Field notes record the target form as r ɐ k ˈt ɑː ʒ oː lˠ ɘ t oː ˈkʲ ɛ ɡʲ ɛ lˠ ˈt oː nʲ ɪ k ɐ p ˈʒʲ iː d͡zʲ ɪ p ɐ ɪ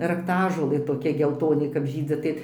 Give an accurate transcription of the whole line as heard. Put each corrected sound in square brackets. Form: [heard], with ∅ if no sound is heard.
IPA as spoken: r ɐ k ˈt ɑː ʒ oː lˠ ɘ t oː ˈkʲ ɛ ɡʲ ɛ lˠ ˈt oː nʲ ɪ k ɐ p ˈʒʲ iː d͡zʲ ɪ [t] ɐ ɪ